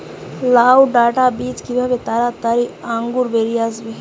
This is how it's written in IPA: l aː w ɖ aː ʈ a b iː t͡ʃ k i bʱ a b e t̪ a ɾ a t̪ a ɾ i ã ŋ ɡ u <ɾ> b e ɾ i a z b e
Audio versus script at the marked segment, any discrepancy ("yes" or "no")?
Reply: no